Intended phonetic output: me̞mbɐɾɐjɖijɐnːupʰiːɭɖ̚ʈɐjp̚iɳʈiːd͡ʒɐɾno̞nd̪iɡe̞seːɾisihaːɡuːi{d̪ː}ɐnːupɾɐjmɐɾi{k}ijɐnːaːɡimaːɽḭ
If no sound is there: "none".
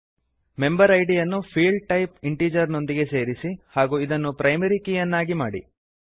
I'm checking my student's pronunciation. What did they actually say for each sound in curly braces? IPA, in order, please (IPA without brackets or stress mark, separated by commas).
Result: d̪, k